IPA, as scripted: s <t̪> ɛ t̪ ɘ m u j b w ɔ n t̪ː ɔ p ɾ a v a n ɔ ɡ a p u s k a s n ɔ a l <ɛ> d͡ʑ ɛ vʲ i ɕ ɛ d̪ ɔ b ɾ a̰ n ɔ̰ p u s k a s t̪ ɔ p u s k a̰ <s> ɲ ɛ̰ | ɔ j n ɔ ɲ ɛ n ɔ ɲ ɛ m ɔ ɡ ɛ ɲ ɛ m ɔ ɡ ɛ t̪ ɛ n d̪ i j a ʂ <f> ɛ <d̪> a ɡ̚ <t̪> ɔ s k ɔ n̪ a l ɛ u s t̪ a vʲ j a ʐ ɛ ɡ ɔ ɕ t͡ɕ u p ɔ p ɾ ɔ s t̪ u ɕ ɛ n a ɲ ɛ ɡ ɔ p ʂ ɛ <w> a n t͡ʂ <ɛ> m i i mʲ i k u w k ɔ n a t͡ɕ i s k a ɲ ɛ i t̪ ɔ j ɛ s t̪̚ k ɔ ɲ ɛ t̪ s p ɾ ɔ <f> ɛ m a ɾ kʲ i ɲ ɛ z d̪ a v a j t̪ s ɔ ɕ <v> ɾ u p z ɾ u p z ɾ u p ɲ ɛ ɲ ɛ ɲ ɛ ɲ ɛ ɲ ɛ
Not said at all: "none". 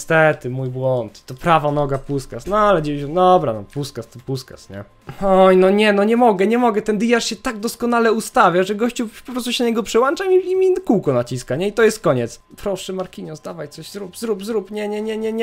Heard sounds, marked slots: t̪, ɛ, s, ɕ, t̪, d̪, w, a, ʂ, z

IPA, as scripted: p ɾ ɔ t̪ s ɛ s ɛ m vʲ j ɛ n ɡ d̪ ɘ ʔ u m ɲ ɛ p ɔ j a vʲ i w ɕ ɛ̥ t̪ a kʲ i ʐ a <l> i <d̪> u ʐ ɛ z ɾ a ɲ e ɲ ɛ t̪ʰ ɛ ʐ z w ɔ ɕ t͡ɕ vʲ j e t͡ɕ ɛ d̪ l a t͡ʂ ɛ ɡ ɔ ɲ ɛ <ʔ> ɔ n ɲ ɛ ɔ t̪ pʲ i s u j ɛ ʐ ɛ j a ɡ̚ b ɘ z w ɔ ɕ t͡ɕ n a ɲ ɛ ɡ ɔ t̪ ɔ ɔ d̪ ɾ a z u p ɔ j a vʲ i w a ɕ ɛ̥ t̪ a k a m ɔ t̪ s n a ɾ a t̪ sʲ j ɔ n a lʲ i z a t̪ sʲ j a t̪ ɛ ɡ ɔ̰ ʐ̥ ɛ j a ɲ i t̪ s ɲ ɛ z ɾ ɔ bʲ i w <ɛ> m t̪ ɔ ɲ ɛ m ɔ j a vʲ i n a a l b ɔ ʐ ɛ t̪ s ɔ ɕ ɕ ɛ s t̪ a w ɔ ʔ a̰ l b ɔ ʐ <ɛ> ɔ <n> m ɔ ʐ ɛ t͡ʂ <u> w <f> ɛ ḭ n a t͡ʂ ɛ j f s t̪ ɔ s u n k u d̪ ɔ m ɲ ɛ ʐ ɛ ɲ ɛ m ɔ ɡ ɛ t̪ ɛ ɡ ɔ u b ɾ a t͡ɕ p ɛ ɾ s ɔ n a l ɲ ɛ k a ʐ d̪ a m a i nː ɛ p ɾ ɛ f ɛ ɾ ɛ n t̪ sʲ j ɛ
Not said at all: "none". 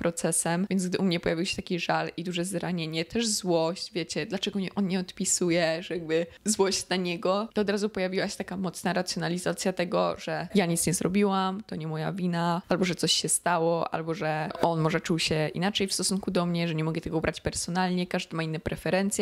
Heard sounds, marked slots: l, d̪, ʔ, a, ɛ, n, u, ɕ

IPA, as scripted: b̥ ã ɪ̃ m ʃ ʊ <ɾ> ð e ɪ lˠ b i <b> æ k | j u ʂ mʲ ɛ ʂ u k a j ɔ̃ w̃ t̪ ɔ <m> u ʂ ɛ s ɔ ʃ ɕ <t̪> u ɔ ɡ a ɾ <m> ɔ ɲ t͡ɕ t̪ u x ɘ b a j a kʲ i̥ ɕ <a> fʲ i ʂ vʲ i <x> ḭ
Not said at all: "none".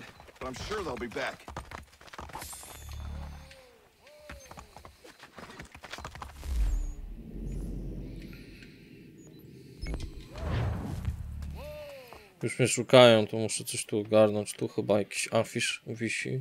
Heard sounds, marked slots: ɹ, b, m, t̪, n, a, ɕ

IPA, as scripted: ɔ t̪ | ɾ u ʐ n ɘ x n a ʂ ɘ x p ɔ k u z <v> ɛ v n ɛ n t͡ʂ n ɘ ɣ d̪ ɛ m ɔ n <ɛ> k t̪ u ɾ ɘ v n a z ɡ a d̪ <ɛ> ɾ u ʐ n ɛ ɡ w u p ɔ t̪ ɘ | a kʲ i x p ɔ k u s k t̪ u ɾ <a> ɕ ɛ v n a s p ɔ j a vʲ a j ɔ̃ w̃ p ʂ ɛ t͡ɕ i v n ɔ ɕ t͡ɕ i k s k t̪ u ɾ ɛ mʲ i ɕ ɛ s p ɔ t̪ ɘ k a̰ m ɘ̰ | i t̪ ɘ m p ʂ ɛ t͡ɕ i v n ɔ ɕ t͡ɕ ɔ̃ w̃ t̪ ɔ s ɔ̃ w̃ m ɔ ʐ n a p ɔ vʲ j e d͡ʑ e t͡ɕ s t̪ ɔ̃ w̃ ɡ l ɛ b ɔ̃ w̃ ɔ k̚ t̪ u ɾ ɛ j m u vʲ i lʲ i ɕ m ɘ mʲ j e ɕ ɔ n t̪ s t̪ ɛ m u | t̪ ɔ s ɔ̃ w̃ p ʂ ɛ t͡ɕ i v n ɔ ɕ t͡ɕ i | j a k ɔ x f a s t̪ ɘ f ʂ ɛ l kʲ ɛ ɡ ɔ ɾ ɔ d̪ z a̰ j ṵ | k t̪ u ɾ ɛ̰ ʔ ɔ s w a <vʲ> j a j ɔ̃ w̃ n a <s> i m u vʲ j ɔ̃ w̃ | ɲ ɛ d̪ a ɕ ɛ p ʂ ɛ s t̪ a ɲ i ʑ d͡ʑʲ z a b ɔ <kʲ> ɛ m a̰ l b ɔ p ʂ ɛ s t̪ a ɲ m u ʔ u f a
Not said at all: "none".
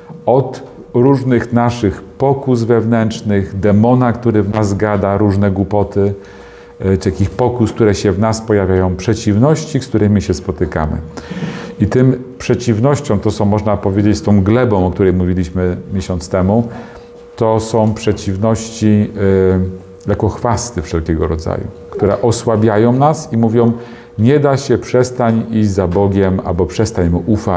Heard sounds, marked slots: v, a, a, ɛ, bʲ, s, ɡʲ

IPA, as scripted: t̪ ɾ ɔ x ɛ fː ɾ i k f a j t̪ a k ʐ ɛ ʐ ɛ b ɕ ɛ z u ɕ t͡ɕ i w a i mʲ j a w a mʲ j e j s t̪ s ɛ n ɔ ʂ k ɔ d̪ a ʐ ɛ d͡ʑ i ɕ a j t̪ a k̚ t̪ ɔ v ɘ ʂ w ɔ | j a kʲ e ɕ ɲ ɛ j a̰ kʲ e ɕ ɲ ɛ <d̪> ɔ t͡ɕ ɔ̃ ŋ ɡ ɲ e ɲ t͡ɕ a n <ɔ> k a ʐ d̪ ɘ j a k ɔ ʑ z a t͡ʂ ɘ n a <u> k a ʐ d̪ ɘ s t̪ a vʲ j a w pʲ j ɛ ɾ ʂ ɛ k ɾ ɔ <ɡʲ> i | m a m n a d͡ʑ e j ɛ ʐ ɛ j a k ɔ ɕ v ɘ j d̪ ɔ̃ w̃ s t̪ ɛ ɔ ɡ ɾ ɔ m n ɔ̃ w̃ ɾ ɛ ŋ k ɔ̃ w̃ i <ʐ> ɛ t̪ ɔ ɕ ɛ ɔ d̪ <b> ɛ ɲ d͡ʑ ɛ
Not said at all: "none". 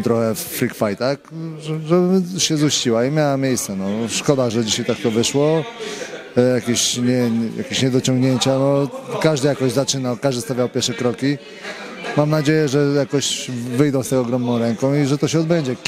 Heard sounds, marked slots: d̪, ɔ, w, kʲ, ʐ, b

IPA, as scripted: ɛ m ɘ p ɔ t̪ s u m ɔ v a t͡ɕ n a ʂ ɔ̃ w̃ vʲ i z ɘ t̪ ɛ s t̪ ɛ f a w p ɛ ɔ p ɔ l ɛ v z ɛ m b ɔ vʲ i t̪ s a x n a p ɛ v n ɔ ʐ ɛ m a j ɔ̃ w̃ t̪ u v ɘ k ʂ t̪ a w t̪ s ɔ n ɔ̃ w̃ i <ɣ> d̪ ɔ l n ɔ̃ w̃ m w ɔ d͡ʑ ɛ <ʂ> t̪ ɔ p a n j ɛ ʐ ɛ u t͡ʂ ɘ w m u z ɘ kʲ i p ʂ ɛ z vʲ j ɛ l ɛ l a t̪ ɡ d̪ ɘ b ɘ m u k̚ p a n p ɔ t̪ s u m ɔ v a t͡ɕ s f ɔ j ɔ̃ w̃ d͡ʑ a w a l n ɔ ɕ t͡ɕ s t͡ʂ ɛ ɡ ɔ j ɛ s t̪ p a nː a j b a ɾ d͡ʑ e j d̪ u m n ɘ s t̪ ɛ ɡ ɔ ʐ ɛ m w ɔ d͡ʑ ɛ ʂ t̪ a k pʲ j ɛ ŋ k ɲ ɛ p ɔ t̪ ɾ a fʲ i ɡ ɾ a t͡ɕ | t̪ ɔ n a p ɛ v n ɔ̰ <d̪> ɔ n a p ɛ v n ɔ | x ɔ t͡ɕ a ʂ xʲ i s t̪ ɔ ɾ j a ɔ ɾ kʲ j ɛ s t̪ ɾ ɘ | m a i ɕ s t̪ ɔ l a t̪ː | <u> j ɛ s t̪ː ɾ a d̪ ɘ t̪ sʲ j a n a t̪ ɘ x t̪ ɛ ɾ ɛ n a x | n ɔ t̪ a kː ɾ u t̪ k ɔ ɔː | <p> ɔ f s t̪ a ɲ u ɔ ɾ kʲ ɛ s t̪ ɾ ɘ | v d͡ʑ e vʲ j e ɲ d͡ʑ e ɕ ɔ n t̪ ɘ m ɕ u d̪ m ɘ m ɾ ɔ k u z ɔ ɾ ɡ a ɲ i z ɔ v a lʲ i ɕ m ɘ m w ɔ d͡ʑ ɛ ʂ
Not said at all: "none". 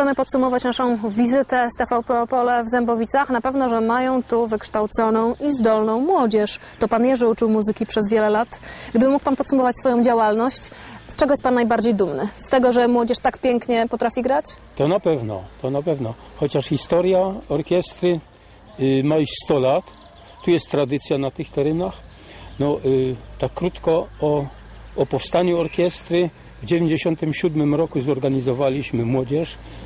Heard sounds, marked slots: z, ʂ, t̪, u, p

